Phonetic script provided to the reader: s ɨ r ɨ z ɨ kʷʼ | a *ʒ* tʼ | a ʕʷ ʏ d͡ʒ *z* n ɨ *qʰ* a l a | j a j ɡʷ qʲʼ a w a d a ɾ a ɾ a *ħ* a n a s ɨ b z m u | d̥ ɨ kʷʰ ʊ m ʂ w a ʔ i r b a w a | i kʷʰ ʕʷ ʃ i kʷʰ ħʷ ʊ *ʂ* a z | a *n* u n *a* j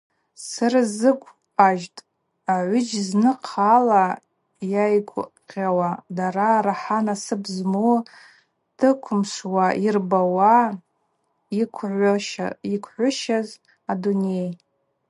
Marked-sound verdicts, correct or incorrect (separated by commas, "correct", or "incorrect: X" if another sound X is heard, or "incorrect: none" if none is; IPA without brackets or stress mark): correct, correct, correct, correct, incorrect: ʃ, incorrect: d, incorrect: e